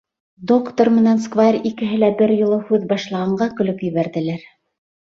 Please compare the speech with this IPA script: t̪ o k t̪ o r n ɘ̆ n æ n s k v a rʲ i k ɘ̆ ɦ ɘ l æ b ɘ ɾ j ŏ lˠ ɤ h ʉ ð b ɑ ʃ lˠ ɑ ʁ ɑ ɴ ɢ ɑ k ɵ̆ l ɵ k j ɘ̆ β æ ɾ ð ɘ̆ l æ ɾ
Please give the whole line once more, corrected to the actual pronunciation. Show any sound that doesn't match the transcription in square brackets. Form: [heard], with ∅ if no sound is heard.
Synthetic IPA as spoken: [d̪] o k t̪ o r [m] ɘ̆ n æ n s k v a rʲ i k ɘ̆ ɦ ɘ l æ b ɘ ɾ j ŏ lˠ ɤ h ʉ ð b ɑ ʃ lˠ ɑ ʁ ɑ ɴ ɢ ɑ k ɵ̆ l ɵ k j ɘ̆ β æ ɾ ð ɘ̆ l æ ɾ